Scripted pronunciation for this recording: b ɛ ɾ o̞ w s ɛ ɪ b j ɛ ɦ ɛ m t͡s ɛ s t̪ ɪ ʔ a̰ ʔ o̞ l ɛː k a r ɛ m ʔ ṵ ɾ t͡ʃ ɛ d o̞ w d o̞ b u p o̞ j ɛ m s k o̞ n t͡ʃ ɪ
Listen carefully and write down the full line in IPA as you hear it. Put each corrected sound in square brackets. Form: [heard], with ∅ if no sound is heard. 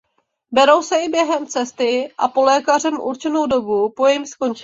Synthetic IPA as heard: b ɛ ɾ o̞ w s ɛ ɪ b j ɛ ɦ ɛ m t͡s ɛ s t̪ ɪ ʔ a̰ [p] o̞ l ɛː k a r ɛ m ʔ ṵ ɾ t͡ʃ ɛ [n] o̞ w d o̞ b u p o̞ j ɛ m s k o̞ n t͡ʃ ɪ